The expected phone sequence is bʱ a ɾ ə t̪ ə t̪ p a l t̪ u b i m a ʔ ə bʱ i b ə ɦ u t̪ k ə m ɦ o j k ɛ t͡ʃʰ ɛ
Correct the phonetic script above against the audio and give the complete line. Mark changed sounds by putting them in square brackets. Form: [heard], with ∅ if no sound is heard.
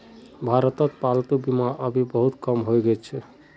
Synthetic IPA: bʱ a ɾ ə t̪ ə t̪ p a l t̪ u b i m a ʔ ə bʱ i b ə ɦ u t̪ k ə m ɦ o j [ɡ] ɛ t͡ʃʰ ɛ